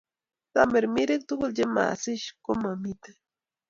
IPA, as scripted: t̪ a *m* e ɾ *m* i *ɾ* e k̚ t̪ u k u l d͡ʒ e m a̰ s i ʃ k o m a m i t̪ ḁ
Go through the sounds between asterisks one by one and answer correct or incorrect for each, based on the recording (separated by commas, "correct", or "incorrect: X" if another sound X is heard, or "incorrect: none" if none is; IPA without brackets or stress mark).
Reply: correct, correct, correct